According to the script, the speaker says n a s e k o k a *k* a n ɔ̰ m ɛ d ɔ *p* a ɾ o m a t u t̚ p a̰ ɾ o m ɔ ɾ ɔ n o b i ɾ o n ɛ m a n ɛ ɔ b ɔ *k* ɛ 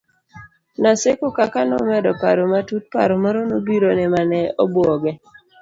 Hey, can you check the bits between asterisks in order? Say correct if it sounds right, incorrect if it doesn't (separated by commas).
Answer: correct, correct, incorrect